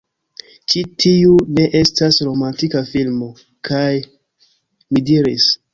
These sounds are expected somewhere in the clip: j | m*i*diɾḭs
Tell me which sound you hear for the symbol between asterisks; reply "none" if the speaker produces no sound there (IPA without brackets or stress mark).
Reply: i